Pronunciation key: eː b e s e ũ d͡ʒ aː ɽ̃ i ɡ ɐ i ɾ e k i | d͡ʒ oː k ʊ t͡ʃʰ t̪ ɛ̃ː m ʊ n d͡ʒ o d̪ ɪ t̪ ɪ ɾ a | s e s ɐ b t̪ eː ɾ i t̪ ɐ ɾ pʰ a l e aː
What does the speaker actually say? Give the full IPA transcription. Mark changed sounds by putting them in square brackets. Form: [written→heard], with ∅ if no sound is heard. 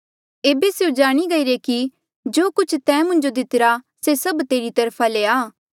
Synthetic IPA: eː b e s e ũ d͡ʒ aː ɽ̃ i ɡ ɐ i ɾ e k i | d͡ʒ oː k ʊ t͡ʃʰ t̪ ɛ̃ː m [ʊ→ʊ̃] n d͡ʒ o d̪ ɪ t̪ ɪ ɾ a | s e s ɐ b t̪ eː ɾ i t̪ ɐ ɾ pʰ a l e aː